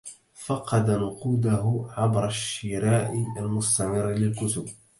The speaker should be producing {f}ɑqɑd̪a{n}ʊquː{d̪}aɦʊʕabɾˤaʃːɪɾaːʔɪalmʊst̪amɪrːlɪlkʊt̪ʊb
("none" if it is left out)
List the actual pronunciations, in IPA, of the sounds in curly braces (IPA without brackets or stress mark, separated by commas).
f, n, d̪